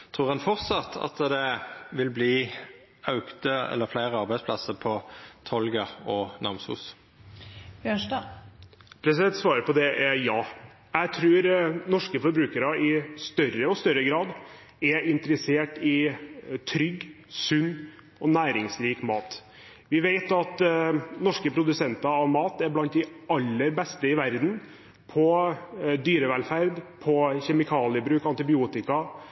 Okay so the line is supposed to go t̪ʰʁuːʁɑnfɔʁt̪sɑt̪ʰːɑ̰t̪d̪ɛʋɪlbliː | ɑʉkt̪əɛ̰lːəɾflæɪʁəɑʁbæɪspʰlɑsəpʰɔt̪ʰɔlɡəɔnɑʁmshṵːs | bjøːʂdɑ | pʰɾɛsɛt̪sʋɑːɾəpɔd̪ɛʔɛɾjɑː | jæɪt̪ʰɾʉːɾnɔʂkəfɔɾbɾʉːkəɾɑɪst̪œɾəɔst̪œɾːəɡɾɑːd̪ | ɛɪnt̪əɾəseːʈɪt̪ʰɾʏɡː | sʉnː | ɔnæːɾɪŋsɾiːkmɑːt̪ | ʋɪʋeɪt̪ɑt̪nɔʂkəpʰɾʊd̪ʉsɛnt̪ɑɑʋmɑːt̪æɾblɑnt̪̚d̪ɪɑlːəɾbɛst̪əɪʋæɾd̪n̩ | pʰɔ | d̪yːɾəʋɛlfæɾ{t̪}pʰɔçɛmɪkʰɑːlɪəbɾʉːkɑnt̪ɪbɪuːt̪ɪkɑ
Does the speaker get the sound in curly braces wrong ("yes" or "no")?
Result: yes